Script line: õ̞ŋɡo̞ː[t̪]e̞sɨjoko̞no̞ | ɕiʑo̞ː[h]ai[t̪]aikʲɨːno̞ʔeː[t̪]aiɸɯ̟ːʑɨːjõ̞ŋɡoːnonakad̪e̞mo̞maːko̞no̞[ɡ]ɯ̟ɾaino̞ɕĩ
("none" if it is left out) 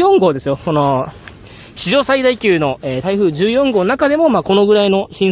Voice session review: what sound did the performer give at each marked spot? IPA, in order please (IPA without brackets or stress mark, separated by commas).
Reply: d̪, s, d̪, t̪, ɡ